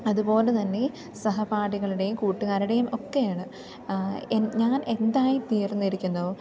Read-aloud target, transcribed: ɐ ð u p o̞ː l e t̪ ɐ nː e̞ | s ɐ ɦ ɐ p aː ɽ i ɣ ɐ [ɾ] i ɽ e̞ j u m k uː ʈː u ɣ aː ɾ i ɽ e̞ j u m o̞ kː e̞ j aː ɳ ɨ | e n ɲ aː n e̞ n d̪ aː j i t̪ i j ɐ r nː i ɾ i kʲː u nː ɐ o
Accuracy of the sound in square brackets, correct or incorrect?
incorrect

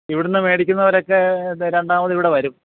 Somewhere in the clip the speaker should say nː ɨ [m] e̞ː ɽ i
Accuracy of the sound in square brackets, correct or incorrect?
correct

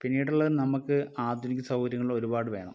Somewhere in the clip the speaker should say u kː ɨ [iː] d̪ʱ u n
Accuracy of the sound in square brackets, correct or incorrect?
incorrect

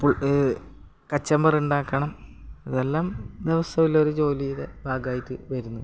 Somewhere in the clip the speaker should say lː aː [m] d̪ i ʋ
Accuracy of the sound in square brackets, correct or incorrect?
correct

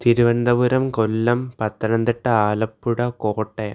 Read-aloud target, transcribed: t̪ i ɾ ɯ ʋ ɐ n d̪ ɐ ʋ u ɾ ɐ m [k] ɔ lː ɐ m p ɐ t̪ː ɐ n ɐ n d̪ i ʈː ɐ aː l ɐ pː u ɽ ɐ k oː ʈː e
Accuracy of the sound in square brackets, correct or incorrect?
correct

